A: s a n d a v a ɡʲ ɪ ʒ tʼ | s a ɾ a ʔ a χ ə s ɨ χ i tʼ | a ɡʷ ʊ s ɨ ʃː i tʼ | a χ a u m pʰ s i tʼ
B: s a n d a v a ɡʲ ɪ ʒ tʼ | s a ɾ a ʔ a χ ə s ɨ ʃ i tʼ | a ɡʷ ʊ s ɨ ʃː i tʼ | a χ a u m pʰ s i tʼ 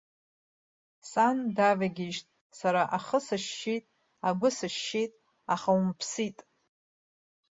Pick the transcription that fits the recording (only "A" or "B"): B